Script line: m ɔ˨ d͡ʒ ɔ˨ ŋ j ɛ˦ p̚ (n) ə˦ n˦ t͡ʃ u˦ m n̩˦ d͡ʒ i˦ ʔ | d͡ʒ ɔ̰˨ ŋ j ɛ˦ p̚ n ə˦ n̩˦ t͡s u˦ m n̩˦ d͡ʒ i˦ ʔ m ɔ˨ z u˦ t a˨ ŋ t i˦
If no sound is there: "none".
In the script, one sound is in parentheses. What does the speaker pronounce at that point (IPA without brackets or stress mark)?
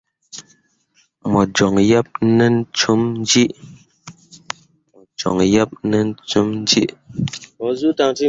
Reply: n